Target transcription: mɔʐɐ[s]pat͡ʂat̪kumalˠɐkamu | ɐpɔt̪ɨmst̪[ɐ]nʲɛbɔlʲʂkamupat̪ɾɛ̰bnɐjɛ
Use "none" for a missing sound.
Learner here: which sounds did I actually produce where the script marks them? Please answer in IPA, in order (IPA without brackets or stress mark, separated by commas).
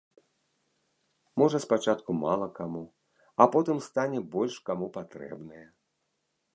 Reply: s, a